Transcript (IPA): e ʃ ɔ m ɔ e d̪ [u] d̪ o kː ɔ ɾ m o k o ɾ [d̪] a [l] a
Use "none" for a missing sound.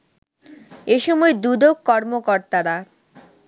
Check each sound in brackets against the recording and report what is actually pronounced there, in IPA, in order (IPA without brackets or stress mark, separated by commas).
u, t̪, ɾ